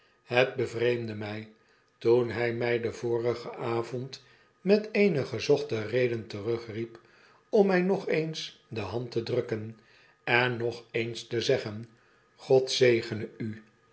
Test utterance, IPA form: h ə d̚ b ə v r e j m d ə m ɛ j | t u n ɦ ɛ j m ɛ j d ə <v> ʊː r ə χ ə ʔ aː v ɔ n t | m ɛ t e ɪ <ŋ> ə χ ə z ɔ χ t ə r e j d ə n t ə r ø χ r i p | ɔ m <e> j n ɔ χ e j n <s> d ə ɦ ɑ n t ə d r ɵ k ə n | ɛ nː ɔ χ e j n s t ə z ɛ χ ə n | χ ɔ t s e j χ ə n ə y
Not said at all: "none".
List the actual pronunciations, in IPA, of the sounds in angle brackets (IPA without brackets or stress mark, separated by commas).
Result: v, n, ɛ, s